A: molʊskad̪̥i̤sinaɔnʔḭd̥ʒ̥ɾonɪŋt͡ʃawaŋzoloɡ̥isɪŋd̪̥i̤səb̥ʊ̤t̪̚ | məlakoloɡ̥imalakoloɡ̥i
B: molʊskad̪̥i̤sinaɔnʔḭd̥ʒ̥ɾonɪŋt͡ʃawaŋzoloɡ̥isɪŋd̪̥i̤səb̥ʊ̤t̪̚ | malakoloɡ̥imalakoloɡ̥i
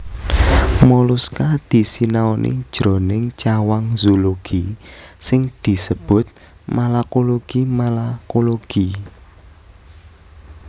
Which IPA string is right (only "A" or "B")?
B